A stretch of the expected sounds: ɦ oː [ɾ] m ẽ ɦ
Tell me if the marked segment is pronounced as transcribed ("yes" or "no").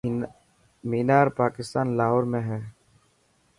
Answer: yes